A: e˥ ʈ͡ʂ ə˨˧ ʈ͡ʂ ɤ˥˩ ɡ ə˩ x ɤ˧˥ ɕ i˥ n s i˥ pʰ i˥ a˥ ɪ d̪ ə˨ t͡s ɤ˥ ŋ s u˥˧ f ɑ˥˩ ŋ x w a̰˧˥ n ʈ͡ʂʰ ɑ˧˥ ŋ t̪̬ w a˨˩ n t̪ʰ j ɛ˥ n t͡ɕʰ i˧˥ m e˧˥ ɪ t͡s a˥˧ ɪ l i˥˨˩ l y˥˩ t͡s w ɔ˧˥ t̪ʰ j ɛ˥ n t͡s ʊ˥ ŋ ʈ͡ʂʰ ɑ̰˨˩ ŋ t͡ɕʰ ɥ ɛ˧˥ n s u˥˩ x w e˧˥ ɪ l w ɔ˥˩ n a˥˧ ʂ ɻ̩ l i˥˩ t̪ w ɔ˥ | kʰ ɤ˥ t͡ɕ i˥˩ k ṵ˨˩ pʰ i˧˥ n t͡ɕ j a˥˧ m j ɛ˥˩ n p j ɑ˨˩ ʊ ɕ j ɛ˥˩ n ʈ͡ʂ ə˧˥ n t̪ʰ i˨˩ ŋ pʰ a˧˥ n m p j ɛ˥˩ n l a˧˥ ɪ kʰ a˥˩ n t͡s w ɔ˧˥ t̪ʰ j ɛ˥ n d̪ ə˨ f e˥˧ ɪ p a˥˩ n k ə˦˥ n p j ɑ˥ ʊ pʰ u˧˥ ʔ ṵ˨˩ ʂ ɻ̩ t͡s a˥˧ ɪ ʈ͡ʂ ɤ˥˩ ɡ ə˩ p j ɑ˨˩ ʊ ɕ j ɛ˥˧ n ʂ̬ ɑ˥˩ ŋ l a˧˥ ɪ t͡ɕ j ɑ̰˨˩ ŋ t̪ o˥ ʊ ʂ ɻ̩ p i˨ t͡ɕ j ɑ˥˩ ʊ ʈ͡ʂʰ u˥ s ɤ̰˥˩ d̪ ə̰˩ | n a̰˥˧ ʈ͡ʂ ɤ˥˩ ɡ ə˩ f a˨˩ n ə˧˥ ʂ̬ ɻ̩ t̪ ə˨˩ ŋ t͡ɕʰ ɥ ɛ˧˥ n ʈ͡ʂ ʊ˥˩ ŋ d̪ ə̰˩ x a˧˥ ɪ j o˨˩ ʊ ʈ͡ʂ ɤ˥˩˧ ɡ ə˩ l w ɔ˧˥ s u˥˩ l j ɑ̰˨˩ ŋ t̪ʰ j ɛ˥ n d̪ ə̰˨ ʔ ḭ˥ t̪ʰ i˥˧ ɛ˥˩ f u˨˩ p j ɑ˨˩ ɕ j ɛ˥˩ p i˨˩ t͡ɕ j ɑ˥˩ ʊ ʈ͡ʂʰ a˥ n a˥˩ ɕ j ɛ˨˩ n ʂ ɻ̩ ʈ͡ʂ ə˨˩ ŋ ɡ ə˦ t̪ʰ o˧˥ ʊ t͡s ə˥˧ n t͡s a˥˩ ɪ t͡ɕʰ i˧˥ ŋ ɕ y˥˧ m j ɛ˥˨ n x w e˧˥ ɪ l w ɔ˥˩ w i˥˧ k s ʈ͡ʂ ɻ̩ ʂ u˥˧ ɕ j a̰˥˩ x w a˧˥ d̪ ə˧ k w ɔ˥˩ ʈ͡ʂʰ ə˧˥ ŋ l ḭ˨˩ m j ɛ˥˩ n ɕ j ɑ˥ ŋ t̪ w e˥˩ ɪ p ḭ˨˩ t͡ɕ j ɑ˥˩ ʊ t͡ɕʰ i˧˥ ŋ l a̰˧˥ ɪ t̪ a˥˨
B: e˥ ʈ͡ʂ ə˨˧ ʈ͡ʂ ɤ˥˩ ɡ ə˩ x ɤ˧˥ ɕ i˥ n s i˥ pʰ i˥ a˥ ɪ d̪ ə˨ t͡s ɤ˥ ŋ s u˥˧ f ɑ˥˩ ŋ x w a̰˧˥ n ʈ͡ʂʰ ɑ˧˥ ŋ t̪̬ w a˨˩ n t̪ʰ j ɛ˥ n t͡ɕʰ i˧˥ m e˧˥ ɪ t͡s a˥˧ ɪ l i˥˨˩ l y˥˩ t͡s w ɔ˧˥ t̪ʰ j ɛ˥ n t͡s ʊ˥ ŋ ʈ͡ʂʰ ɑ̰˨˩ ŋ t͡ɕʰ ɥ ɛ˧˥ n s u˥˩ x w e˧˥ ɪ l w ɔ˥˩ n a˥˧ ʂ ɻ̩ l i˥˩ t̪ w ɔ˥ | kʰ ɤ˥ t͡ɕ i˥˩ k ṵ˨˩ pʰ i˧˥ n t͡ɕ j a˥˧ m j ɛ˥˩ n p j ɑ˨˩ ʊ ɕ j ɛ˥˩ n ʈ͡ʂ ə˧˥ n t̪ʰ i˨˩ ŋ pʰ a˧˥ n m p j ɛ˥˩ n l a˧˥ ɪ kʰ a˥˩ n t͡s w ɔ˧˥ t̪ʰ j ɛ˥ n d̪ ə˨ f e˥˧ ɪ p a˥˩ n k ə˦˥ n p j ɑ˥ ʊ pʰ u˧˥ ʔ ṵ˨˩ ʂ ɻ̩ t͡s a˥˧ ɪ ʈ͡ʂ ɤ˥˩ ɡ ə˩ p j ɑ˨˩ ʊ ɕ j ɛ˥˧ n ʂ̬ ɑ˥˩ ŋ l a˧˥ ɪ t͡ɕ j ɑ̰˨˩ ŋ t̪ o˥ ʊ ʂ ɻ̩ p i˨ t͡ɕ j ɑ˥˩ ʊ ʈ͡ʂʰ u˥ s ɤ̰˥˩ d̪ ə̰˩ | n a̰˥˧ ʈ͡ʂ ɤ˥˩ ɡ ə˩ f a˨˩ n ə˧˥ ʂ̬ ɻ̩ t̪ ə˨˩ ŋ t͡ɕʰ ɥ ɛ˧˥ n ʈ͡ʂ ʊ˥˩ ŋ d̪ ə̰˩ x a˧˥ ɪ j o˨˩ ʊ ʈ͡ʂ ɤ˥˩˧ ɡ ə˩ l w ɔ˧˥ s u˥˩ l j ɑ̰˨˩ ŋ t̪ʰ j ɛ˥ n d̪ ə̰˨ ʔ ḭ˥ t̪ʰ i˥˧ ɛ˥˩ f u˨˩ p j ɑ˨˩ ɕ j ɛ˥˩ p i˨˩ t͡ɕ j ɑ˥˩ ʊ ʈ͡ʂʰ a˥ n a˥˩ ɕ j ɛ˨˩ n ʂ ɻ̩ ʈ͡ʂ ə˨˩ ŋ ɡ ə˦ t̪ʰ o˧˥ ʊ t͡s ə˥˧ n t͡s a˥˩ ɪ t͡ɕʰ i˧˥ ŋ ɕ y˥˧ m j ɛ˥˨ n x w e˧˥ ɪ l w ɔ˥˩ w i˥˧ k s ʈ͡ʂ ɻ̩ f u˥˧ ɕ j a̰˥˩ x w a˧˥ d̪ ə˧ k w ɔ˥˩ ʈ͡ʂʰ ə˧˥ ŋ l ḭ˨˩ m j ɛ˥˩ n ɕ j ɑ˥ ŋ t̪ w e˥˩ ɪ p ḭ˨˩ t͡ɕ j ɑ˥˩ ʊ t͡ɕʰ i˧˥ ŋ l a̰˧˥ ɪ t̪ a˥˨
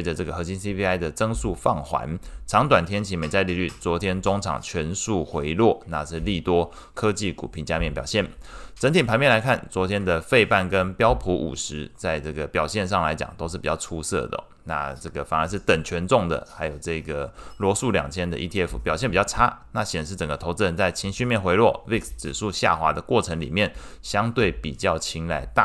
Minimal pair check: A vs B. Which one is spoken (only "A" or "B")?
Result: A